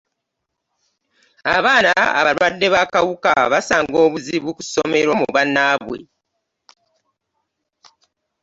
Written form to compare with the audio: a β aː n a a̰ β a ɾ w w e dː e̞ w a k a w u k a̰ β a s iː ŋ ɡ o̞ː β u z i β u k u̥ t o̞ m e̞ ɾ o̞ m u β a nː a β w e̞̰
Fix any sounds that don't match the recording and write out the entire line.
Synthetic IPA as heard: a β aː n a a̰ β a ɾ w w a dː e̞ β a k a w u k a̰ β a s aː ŋ ɡ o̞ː β u z i β u k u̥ s o̞ m e̞ ɾ o̞ m u β a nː a β w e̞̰